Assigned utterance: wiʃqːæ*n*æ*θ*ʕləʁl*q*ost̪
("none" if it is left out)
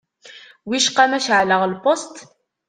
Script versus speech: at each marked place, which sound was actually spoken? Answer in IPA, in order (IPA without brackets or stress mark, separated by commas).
m, ʃ, p